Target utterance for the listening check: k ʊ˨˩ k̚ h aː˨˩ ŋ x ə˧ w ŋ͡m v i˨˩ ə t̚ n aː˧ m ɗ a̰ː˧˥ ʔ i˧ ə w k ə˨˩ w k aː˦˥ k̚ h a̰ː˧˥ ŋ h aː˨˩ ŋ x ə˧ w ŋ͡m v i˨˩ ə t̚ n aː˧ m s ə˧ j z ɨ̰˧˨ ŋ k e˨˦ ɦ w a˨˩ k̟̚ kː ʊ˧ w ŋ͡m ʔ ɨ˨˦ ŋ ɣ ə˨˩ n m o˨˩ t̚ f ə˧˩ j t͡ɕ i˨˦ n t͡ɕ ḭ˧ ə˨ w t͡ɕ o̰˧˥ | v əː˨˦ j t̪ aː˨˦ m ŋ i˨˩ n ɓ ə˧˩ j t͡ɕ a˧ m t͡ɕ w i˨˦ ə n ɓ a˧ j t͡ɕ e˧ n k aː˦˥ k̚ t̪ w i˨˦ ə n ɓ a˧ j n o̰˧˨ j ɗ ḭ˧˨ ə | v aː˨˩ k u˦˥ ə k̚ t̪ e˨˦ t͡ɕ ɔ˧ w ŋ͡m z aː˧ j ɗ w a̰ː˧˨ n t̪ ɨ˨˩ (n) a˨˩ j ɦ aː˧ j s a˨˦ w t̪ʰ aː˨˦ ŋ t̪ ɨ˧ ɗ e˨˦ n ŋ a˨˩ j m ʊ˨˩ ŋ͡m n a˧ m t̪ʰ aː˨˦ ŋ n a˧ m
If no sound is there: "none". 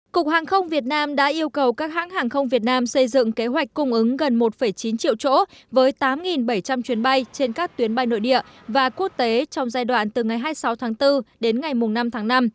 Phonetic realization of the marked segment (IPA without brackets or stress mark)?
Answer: ŋ